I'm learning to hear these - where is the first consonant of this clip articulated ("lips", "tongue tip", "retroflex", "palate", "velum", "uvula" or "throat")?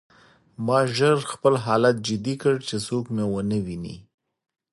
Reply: lips